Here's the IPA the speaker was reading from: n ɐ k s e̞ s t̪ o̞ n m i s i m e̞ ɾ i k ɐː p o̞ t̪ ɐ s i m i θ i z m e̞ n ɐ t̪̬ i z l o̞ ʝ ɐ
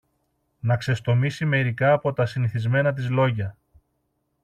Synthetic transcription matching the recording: n ɐ k s e̞ s t̪ o̞ m i s i m e̞ ɾ i k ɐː p o̞ t̪ ɐ s i n i θ i z m e̞ n ɐ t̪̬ i z l o̞ ʝ ɐ